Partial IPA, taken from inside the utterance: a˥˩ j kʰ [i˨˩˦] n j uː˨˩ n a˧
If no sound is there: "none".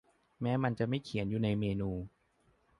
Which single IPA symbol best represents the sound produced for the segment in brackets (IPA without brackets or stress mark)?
i˨˩˦